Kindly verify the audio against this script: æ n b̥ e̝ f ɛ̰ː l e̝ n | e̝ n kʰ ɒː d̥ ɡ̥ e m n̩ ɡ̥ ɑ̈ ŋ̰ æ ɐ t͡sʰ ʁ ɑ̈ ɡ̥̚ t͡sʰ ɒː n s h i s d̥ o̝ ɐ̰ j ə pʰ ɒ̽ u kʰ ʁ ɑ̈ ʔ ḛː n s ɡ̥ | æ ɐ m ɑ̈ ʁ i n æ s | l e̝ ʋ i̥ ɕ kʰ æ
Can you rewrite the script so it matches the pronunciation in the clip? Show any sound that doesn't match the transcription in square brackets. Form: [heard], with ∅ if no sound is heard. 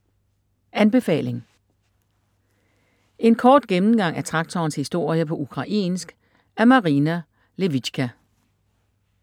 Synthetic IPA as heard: æ n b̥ e̝ f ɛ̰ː l e̝ [ŋ] | e̝ n kʰ ɒː d̥ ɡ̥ e m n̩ ɡ̥ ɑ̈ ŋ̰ æ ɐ t͡sʰ ʁ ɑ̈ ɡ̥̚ t͡sʰ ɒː n s h i s d̥ o̝ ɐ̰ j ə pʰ ɒ̽ u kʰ ʁ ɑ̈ ʔ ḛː n s ɡ̥ | æ ɐ m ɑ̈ ʁ i n æ [∅] | l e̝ ʋ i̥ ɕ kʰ æ